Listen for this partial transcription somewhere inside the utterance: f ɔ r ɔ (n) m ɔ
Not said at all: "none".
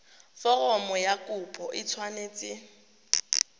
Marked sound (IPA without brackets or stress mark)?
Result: none